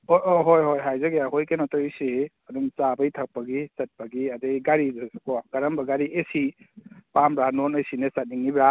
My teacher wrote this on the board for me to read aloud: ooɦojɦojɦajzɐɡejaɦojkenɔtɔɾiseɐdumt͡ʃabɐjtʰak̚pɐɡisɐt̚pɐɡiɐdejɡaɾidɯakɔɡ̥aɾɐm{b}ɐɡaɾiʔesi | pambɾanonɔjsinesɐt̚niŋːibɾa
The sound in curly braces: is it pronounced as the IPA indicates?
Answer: yes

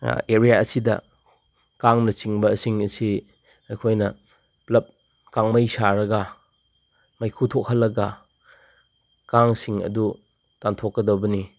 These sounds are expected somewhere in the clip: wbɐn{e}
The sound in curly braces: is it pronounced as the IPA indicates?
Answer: no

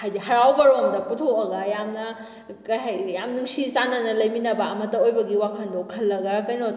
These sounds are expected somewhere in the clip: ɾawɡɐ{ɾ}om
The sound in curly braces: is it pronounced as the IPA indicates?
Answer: yes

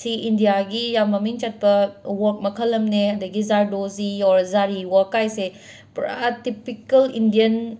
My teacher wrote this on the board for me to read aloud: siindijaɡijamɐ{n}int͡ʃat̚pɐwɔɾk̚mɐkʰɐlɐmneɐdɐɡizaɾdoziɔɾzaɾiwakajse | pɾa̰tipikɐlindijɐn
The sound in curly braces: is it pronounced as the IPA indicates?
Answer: no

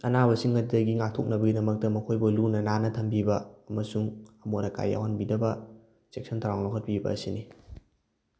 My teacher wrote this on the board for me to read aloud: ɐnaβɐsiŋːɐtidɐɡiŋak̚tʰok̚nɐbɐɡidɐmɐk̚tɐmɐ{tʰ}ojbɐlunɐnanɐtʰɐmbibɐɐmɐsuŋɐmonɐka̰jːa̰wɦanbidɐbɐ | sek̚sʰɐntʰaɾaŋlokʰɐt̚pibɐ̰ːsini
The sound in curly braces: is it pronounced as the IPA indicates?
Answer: no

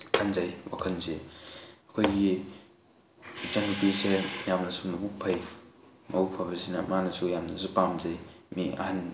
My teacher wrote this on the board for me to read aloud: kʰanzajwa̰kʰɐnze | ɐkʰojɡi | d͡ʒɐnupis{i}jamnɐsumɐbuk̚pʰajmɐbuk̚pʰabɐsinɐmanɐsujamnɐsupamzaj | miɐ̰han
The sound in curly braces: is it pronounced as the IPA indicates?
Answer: no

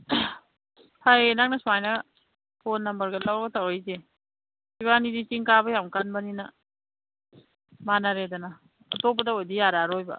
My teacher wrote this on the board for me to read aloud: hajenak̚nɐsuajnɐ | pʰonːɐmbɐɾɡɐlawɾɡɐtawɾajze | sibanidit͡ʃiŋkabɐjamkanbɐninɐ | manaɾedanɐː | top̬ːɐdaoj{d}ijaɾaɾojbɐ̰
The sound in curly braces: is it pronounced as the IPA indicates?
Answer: yes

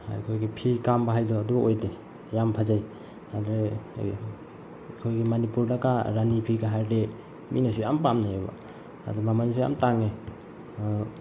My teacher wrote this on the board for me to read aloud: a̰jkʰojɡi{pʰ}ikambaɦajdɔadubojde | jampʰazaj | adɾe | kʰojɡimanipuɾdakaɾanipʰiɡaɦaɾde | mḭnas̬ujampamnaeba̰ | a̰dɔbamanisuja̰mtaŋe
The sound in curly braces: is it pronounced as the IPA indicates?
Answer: yes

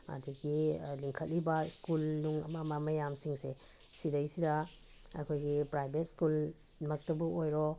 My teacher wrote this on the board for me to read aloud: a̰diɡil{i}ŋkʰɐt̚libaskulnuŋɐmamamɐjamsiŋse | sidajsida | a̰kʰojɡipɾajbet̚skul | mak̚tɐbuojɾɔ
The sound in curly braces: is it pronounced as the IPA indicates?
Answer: yes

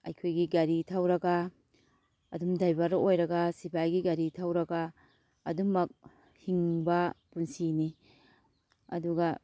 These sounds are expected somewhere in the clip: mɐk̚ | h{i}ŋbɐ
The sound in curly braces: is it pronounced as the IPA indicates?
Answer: yes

